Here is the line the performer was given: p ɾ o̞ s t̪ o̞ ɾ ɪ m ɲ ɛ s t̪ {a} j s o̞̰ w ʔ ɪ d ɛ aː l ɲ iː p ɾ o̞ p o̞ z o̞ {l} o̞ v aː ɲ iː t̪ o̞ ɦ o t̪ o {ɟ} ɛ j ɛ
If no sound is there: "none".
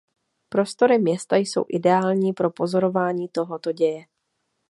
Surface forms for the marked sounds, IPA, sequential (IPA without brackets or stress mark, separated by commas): a, ɾ, ɟ